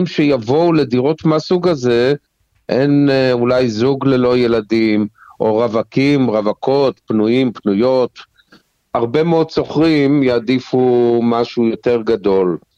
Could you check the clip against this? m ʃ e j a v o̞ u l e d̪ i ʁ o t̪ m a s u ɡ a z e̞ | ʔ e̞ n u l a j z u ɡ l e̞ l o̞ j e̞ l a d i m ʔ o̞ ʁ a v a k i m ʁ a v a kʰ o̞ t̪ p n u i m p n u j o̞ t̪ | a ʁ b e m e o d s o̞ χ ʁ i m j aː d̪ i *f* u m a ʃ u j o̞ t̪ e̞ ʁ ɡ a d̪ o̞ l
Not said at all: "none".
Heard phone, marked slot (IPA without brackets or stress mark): f